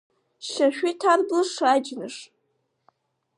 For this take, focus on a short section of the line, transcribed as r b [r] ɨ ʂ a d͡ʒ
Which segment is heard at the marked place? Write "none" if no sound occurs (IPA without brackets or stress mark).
l